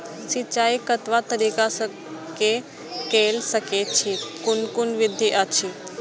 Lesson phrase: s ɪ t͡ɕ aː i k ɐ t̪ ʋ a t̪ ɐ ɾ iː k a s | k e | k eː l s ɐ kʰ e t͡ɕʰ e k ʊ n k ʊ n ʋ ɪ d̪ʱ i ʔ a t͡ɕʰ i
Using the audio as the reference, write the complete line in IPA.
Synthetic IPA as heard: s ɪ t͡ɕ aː i k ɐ t̪ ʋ a t̪ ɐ ɾ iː k a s | k e | k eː l s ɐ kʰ e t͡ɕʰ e k ʊ n k ʊ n ʋ ɪ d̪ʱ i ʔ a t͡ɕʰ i